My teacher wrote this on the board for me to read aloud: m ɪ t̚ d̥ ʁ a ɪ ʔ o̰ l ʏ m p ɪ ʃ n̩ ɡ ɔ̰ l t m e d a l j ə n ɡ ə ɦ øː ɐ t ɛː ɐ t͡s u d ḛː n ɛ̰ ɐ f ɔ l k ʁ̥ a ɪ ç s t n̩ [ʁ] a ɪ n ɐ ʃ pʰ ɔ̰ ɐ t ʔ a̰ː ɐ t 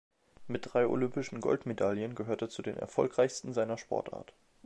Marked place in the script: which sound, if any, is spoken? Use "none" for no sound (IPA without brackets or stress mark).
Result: z